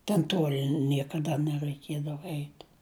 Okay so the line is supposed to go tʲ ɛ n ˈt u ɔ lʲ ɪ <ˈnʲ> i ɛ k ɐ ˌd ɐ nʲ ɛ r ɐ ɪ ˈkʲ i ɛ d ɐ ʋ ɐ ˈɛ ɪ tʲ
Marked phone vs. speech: correct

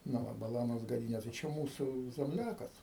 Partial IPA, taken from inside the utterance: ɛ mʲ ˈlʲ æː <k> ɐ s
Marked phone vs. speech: correct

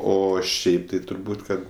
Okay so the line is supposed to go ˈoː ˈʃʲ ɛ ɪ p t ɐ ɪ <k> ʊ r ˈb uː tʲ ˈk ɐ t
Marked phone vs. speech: incorrect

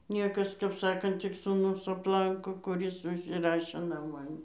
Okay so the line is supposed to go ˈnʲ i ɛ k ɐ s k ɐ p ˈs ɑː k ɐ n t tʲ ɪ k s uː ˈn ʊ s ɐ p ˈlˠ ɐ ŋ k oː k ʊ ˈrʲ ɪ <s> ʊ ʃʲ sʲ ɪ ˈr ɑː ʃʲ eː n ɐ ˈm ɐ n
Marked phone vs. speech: correct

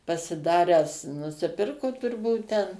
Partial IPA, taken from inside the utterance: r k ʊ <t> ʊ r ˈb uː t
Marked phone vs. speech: correct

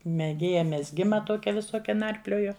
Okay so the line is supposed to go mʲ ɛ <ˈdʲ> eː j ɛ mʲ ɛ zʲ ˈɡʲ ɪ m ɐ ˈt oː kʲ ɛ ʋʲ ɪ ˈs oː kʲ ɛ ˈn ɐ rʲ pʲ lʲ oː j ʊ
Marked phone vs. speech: incorrect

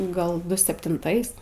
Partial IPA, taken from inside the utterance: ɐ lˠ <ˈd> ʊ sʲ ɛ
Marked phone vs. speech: correct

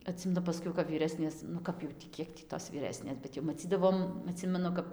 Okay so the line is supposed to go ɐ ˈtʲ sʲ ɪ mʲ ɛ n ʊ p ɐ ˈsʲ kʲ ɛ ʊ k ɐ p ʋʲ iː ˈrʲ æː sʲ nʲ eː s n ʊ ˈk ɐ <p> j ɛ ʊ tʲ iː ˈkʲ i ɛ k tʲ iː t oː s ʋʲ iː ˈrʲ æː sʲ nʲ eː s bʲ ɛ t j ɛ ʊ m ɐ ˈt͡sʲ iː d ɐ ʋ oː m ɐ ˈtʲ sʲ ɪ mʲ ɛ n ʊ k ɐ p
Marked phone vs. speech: correct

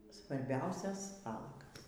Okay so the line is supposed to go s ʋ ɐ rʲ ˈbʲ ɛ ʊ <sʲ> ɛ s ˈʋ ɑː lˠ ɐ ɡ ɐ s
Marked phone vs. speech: correct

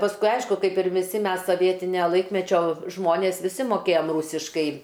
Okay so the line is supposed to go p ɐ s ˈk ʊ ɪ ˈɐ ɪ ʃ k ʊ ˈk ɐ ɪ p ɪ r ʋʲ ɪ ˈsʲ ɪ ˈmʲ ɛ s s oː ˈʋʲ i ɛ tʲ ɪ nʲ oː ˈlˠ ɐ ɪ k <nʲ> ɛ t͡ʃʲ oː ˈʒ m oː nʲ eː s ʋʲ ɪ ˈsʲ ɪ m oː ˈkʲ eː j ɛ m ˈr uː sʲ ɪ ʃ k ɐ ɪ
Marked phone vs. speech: incorrect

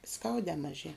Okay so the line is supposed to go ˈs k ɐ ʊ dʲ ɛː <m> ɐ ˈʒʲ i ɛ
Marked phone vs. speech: correct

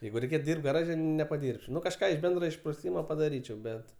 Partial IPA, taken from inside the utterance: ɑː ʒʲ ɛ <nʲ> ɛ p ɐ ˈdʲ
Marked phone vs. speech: correct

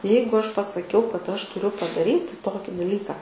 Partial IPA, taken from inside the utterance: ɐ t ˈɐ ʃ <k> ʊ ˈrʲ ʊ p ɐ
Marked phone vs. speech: incorrect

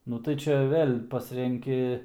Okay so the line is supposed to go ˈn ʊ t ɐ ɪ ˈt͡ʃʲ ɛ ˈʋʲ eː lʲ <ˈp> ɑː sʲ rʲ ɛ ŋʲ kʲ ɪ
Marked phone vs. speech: correct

